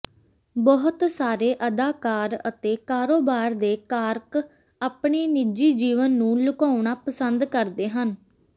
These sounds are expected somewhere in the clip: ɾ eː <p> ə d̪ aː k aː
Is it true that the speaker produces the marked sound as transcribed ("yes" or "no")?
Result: no